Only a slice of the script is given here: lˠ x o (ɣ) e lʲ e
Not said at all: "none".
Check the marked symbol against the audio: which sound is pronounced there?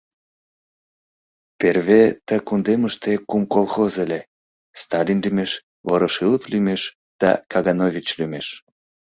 z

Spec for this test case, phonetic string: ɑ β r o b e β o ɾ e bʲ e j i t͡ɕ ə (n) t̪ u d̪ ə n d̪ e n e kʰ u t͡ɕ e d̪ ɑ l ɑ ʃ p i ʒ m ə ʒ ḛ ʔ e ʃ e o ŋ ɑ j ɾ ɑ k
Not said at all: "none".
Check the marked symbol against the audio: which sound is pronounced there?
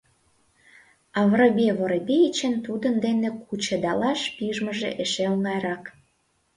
n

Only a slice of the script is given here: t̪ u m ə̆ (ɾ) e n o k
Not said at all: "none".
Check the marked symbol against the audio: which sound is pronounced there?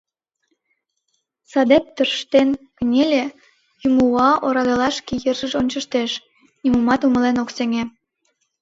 l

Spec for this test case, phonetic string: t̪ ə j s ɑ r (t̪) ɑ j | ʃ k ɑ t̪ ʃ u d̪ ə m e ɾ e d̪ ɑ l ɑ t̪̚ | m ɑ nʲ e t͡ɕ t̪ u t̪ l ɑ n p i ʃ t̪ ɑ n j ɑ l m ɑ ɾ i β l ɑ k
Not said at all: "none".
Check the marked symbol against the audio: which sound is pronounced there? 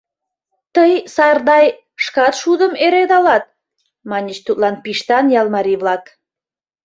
d̪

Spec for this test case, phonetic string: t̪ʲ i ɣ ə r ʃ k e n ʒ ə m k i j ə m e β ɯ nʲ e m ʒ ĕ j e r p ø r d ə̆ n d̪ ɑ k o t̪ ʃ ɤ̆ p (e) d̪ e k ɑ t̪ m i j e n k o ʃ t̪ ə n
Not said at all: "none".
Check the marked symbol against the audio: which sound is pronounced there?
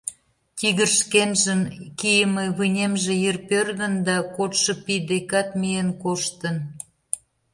i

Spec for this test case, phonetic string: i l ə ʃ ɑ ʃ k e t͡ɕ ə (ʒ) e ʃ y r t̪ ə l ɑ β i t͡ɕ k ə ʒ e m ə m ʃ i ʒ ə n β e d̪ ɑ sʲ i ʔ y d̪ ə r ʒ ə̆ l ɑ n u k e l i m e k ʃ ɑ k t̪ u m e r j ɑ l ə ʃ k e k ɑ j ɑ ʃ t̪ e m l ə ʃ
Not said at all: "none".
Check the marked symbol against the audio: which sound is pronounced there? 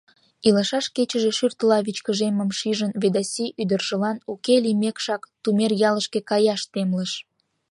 ʒ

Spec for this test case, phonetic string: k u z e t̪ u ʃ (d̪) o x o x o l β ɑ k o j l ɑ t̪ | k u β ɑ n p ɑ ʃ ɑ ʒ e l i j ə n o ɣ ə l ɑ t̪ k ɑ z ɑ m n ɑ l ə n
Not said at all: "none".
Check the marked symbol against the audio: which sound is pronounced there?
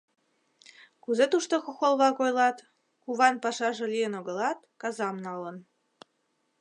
t̪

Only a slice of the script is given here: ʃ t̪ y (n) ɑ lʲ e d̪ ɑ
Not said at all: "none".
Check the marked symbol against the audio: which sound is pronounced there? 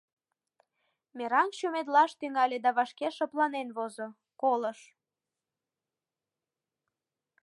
ŋ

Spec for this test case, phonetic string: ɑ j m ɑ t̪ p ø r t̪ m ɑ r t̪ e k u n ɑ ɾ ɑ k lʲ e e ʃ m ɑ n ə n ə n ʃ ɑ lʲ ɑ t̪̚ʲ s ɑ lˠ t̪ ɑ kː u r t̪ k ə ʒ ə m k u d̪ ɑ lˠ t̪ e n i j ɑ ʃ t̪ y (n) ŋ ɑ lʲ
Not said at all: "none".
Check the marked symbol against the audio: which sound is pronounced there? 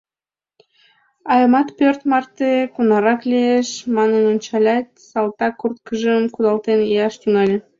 none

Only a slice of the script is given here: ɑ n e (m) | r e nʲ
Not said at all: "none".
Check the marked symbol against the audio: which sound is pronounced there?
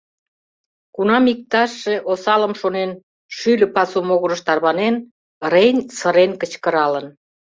n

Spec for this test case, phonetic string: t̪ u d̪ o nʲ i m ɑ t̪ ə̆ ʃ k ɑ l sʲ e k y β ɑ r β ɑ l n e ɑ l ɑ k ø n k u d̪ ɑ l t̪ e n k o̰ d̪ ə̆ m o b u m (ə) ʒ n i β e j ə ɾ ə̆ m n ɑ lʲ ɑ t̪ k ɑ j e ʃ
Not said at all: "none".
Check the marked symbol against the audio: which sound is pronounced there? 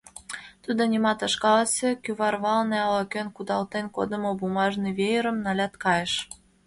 ɑ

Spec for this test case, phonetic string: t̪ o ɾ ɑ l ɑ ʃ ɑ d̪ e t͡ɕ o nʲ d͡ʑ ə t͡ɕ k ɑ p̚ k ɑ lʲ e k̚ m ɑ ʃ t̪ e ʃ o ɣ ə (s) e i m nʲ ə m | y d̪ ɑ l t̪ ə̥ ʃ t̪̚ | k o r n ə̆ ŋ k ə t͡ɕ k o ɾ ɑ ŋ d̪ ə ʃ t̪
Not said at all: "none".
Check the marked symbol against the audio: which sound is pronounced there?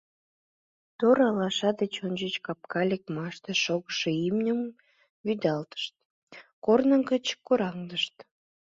ʃ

